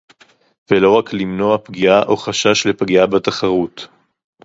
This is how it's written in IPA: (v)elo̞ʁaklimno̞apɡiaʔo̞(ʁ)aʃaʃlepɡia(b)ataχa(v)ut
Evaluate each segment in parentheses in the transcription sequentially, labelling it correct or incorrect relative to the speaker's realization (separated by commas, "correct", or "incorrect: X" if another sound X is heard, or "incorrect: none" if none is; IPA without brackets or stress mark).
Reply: correct, incorrect: χ, correct, incorrect: ʁ